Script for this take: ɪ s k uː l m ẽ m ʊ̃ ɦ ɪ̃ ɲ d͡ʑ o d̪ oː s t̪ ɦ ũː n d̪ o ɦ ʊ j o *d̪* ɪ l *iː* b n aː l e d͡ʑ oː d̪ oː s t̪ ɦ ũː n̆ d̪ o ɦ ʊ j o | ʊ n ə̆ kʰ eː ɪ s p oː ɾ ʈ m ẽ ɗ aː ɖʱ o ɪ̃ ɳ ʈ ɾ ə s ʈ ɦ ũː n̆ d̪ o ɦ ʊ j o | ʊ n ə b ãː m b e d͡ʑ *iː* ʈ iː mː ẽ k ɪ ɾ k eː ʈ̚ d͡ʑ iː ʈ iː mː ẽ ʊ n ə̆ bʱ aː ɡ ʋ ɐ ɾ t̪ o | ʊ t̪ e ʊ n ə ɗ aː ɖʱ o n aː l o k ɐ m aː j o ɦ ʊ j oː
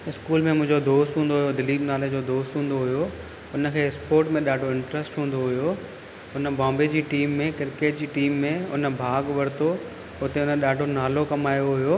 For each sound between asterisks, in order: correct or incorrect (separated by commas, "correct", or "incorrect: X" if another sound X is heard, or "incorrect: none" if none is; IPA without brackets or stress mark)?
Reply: correct, correct, correct